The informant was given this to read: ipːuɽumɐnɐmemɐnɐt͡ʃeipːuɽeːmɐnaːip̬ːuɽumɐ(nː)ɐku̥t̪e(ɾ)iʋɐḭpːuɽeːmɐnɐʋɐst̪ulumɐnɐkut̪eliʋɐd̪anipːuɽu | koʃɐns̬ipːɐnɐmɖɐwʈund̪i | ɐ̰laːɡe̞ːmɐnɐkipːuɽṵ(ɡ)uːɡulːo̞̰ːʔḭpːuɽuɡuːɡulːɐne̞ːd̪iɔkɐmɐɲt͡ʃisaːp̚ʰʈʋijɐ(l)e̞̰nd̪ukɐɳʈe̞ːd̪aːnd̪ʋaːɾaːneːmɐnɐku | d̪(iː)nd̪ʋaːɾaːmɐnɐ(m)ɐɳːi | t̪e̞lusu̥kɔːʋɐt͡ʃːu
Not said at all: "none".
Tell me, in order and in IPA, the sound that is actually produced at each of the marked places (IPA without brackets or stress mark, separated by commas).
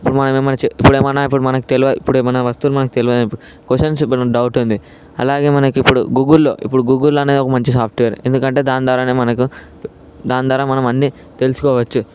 n, l, ɡ, ɾ, aː, m